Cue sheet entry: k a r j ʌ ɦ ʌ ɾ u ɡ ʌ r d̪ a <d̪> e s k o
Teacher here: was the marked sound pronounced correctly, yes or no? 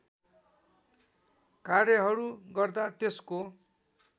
no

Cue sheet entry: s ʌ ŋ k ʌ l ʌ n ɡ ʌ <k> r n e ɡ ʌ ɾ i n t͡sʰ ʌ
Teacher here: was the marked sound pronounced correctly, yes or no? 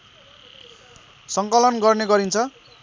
no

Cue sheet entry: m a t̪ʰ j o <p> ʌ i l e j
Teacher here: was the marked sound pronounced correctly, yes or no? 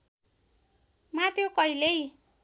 no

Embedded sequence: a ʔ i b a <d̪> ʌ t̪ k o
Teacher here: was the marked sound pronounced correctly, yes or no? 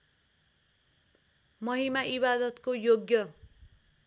yes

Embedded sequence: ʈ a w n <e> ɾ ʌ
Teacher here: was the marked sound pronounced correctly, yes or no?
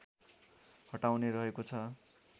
yes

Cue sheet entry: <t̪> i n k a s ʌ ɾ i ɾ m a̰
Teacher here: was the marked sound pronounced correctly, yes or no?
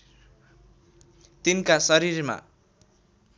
yes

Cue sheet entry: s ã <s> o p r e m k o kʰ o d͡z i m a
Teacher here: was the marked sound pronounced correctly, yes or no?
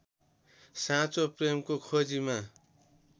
no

